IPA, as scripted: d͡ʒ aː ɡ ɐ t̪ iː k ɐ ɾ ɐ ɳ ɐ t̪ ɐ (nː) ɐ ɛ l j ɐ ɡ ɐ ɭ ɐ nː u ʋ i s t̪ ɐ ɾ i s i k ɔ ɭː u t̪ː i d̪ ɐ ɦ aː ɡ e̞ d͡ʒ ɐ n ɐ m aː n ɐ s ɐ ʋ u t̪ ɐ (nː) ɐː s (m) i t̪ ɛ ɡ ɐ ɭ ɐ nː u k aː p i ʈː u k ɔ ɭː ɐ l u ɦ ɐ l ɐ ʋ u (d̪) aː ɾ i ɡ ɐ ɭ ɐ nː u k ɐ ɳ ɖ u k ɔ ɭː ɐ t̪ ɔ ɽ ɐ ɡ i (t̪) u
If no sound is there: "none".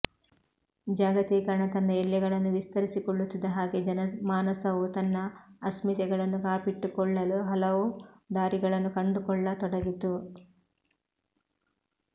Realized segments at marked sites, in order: nː, nː, m, d̪, t̪

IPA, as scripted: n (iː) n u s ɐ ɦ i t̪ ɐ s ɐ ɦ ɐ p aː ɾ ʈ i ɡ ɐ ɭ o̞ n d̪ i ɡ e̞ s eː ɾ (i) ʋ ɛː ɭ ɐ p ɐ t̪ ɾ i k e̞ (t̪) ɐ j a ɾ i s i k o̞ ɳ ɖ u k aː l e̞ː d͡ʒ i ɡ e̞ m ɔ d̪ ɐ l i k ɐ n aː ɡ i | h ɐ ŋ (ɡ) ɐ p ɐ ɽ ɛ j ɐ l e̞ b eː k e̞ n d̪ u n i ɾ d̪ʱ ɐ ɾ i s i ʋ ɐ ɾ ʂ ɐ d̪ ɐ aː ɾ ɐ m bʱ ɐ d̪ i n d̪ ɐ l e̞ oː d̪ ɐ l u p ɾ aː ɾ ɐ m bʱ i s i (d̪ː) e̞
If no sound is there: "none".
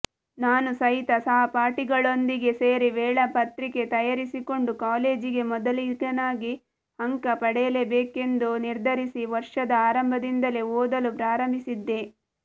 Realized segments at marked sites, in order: aː, i, t̪, k, d̪ː

